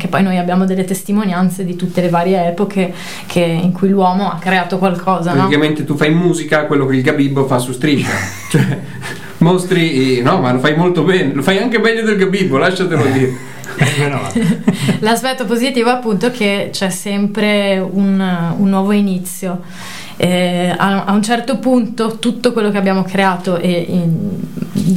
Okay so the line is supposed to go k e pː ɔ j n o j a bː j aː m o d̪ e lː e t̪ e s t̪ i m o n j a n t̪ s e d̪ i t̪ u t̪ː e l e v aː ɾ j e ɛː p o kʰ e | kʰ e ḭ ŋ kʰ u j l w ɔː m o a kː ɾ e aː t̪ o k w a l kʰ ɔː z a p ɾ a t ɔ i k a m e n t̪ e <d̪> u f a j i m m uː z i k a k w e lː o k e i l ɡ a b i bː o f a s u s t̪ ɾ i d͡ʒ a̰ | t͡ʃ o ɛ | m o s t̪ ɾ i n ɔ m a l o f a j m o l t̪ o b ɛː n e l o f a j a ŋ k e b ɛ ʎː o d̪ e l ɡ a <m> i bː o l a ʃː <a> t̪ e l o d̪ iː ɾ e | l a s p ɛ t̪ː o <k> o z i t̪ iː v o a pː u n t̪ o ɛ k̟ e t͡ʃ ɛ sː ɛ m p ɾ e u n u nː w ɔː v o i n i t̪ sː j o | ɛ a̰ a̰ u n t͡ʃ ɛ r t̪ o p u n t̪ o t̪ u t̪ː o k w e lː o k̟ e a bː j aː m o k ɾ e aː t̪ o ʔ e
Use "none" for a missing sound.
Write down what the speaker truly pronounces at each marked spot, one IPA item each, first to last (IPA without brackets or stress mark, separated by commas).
t̪, b, a, p